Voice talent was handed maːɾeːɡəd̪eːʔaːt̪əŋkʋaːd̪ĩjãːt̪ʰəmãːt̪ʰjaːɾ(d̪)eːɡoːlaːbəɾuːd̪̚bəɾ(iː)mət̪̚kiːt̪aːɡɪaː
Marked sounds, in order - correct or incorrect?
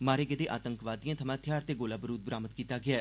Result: incorrect: t̪, incorrect: aː

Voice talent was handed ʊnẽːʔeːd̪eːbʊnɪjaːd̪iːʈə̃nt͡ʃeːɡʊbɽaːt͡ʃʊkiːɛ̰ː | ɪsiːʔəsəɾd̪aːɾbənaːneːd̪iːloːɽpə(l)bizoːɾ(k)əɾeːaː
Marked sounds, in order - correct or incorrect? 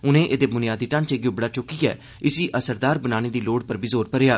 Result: incorrect: ɾ, incorrect: p

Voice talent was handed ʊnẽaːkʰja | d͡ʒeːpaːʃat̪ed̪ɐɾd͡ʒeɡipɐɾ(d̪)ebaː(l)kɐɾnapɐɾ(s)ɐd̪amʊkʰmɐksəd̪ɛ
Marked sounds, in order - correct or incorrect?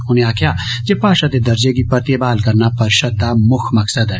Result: incorrect: t̪, correct, incorrect: ʃ

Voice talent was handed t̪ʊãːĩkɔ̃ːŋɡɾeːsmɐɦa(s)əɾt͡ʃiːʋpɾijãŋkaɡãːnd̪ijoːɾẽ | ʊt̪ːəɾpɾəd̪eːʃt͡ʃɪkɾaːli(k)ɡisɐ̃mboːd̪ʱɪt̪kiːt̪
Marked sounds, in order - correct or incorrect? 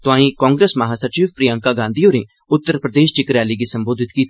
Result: correct, incorrect: none

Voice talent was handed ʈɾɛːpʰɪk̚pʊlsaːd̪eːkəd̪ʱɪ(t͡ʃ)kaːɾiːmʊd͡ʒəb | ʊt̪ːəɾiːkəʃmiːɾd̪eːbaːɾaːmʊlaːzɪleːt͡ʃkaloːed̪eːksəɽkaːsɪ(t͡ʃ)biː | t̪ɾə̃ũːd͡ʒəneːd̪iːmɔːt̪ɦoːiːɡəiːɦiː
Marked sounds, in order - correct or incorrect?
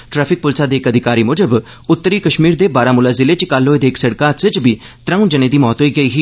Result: incorrect: none, correct

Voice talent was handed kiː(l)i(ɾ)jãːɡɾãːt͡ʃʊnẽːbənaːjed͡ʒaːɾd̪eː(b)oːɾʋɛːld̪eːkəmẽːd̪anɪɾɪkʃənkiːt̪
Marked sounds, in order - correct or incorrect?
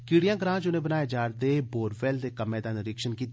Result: incorrect: ɽ, incorrect: none, correct

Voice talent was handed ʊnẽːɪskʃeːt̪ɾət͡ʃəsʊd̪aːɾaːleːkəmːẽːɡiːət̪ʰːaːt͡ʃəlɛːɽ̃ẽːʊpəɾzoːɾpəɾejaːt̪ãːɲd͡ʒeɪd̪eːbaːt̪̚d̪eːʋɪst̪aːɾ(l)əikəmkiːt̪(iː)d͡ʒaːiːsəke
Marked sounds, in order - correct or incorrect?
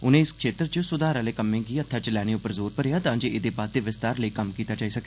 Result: correct, incorrect: aː

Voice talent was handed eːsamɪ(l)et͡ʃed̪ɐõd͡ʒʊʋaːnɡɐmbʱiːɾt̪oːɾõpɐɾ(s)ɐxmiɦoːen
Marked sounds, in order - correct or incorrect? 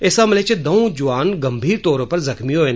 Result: correct, incorrect: z

